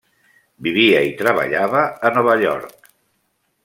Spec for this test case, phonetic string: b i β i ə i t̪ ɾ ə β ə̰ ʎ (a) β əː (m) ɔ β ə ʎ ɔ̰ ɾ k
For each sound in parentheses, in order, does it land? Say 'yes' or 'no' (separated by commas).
yes, no